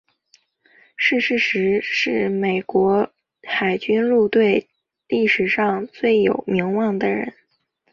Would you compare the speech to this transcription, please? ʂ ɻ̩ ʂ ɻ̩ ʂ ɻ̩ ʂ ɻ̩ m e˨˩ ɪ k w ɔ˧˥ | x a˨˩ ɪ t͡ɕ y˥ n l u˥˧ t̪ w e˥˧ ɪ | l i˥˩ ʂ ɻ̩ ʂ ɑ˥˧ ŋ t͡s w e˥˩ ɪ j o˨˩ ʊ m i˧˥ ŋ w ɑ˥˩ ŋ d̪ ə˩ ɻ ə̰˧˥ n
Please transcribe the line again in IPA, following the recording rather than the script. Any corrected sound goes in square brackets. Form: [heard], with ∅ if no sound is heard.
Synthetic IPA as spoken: ʂ ɻ̩ ʂ ɻ̩ ʂ ɻ̩ ʂ ɻ̩ m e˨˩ ɪ k w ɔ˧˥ | x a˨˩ ɪ t͡ɕ y˥ n l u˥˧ t̪ w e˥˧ ɪ | l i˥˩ ʂ ɻ̩ ʂ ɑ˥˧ ŋ t͡s w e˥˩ ɪ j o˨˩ ʊ m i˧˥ ŋ w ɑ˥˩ ŋ d̪ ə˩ ɻ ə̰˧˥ n

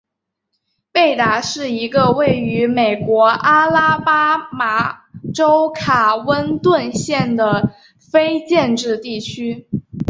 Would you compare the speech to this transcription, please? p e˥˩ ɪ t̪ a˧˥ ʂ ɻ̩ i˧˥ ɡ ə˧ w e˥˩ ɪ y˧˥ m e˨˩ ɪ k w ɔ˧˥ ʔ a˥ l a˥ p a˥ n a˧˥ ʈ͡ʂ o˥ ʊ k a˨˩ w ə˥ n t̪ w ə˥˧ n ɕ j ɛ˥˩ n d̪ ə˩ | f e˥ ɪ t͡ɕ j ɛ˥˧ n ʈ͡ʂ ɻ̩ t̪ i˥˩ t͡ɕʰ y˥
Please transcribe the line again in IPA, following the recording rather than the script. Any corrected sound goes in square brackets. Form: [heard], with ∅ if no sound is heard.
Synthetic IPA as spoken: p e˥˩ ɪ t̪ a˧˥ ʂ ɻ̩ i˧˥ ɡ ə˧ w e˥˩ ɪ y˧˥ m e˨˩ ɪ k w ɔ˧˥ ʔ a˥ l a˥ p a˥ [m] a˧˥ ʈ͡ʂ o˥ ʊ [kʰ] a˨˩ w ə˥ n t̪ w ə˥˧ n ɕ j ɛ˥˩ n d̪ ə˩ | f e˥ ɪ t͡ɕ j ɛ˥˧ n ʈ͡ʂ ɻ̩ t̪ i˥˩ t͡ɕʰ y˥

